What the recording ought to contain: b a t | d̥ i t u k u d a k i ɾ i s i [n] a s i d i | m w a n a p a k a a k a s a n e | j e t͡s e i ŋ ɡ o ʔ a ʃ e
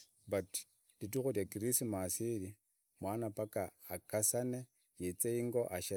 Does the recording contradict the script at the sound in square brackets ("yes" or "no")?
yes